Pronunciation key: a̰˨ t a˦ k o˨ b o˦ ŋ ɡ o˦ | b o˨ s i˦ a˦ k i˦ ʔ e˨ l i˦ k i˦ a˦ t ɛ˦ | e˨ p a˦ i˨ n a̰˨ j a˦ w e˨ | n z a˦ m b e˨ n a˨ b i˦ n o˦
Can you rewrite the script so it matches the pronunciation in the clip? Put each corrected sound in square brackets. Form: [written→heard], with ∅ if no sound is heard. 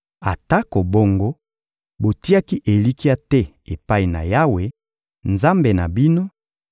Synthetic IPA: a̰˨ t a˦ k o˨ b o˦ ŋ ɡ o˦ | b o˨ [s→t] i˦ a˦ k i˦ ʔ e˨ l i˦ k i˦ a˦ t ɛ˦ | e˨ p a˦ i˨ n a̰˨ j a˦ w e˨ | n z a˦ m b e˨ n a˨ b i˦ n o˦